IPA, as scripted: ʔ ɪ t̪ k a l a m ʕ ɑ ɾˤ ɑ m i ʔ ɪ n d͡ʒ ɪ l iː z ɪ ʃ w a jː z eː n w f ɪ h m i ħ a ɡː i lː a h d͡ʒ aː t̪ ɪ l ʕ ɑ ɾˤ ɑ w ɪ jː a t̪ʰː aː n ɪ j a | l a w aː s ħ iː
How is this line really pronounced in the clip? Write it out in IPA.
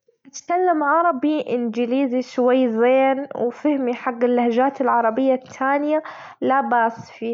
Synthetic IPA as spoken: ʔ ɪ t̪ k a lː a m ʕ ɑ ɾˤ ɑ b i ʔ ɪ n d͡ʒ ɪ l iː z i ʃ w a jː z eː n w f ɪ h m i ħ a ɡː ɪ lː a h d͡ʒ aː t̪ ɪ l ʕ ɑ ɾˤ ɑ b ɪ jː a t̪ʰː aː n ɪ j a | l a b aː s f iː